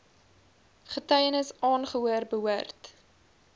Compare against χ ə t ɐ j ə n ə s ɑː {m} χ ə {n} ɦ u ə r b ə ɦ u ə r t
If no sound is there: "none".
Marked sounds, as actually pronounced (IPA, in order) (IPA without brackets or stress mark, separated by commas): n, none